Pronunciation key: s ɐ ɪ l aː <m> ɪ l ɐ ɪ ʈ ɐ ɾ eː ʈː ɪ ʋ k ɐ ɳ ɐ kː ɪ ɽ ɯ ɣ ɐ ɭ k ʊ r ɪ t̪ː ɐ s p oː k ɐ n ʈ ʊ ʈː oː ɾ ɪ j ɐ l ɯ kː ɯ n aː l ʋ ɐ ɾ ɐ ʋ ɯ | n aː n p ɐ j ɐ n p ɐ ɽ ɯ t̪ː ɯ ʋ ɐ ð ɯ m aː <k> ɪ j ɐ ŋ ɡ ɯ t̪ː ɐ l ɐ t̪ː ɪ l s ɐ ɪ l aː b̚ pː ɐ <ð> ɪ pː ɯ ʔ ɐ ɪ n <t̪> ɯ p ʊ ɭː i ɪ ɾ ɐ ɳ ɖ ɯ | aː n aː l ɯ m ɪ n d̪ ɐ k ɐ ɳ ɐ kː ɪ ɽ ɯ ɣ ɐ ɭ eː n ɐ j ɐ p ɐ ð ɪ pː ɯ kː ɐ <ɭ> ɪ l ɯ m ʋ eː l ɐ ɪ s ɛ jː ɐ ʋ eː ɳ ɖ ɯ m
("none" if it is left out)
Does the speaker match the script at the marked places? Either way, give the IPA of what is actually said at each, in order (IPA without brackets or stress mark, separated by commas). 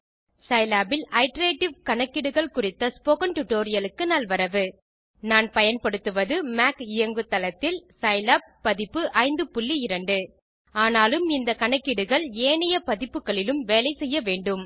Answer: b, k, ð, d̪, ɭ